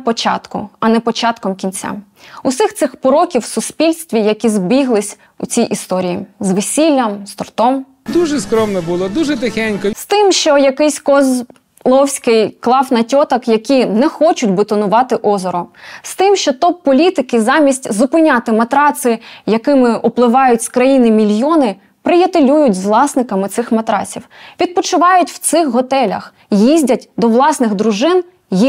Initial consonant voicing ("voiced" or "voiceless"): voiceless